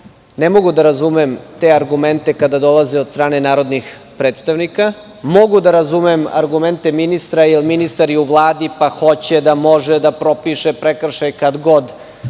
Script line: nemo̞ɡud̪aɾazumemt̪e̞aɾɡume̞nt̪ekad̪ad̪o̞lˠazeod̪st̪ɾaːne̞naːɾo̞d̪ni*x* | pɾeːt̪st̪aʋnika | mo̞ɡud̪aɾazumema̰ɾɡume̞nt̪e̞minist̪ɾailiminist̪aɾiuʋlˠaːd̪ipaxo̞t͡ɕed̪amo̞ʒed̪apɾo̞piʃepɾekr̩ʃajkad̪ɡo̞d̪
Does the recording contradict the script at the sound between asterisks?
no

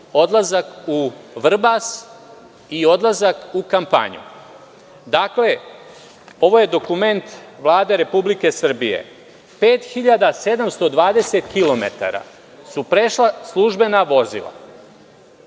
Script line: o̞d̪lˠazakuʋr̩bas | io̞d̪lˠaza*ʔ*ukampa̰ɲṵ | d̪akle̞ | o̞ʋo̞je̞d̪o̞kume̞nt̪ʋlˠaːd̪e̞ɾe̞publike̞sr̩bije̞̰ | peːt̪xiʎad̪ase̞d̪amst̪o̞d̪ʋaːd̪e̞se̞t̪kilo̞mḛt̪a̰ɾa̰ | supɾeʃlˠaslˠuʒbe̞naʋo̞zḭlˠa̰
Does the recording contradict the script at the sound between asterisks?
yes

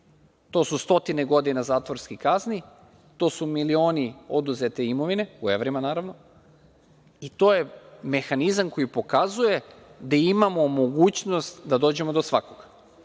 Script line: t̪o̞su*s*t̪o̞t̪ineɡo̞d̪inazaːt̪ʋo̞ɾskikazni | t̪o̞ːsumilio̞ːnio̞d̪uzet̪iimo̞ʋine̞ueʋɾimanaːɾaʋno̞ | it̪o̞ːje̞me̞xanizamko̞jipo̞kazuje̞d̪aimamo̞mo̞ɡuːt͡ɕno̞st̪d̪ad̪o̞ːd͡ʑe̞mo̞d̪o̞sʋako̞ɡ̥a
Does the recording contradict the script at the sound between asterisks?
no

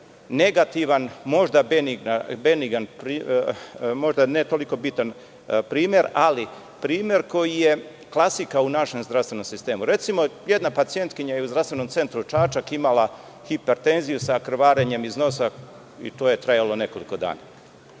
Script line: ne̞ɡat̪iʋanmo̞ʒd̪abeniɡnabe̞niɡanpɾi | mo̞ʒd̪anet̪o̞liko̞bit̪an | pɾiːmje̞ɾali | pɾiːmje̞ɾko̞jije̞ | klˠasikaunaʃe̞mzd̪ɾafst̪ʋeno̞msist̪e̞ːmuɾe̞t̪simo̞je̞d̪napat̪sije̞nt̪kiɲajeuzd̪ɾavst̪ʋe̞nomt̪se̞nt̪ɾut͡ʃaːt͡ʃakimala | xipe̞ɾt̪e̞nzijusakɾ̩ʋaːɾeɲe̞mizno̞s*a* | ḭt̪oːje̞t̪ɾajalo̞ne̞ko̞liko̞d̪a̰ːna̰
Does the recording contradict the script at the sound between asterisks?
no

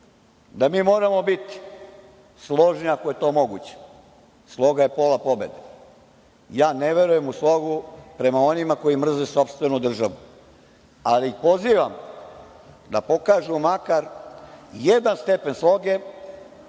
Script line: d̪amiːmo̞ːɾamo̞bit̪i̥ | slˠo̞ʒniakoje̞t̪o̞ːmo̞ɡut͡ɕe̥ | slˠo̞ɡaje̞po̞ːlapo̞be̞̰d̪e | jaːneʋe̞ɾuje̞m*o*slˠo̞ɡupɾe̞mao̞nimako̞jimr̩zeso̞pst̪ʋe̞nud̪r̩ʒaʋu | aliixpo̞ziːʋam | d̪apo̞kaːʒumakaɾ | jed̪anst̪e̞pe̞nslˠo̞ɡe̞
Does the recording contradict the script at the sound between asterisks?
yes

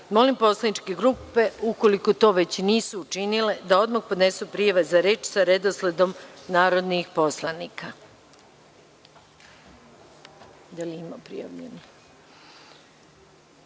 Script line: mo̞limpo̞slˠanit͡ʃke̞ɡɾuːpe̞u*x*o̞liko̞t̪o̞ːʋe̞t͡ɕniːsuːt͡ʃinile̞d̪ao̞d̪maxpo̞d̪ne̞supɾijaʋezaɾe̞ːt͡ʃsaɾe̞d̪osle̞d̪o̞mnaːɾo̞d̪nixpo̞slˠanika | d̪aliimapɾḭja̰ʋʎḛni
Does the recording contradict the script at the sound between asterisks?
yes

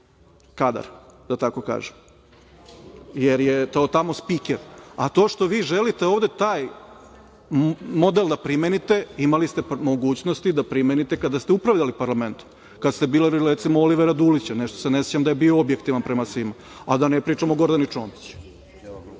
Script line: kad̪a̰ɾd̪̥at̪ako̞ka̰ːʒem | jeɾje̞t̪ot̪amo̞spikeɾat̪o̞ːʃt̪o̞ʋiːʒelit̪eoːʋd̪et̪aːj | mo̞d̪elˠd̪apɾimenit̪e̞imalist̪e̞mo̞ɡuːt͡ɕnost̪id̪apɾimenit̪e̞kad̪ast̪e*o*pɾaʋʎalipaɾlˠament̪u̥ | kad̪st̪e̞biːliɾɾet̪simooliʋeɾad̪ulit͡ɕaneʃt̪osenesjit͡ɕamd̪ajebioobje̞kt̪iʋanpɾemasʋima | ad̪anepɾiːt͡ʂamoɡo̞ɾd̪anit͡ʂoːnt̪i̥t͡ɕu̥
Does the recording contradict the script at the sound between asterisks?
yes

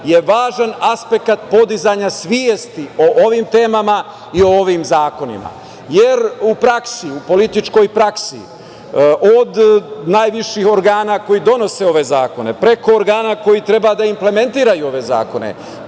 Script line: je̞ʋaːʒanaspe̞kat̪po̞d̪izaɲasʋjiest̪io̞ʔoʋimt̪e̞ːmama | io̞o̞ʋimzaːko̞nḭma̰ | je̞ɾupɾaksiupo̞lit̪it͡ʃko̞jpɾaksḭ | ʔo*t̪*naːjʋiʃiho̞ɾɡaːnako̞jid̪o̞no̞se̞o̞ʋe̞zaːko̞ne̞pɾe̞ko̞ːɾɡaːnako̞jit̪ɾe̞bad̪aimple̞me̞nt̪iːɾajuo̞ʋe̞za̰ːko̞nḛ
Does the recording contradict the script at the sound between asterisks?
yes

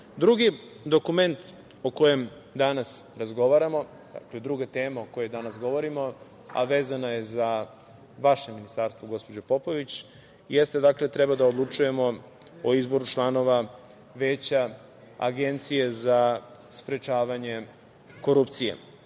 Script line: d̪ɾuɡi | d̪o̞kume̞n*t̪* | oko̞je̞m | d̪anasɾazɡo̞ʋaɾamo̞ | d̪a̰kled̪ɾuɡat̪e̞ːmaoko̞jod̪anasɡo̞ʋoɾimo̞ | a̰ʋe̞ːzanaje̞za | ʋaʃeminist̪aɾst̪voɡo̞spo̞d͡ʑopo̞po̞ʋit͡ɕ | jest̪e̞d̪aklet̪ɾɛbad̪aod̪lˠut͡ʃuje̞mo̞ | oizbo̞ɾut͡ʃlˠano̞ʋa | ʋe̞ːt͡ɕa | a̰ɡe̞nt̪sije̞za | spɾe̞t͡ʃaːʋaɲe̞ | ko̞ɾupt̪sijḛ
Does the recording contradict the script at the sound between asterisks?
no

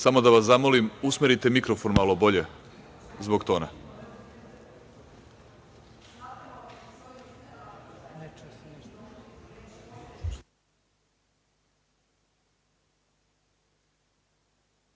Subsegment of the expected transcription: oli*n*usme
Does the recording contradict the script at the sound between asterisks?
yes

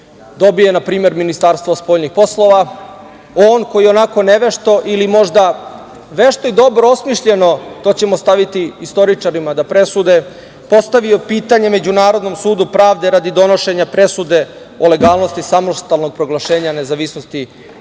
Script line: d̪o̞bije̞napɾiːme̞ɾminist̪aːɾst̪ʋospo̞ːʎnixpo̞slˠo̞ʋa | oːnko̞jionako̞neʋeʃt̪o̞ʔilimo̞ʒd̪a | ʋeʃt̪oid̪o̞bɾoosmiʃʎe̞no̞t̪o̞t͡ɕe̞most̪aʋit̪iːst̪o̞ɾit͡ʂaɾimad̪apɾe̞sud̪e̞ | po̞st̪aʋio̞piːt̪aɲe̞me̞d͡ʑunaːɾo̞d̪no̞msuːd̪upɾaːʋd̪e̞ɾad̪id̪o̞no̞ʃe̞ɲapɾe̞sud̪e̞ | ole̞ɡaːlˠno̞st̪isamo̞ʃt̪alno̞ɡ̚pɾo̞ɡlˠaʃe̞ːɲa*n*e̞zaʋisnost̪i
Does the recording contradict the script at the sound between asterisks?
no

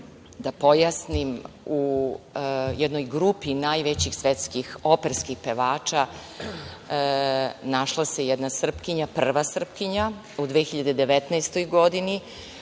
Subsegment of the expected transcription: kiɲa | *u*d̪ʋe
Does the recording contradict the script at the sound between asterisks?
no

